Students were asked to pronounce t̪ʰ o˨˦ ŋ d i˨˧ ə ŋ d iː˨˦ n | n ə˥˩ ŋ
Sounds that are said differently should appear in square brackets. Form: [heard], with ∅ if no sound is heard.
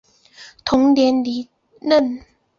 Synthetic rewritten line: t̪ʰ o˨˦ ŋ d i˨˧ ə [n] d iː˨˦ [∅] | n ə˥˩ [n]